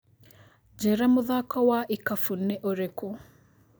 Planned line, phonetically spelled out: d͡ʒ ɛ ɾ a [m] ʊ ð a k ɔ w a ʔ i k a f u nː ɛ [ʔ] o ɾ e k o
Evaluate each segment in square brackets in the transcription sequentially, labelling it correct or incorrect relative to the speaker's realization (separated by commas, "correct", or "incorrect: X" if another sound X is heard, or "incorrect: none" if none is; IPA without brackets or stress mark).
correct, correct